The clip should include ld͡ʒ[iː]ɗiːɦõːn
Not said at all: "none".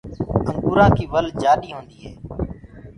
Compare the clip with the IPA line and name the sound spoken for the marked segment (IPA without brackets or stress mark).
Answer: aː